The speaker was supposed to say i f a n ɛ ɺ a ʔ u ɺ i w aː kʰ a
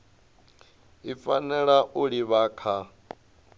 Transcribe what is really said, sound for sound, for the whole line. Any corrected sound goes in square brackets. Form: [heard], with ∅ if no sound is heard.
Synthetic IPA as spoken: i f a n ɛ ɺ a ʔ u ɺ i [β] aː kʰ a